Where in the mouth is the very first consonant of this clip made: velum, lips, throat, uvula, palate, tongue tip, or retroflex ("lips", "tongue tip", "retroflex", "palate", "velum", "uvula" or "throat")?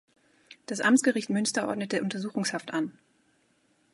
tongue tip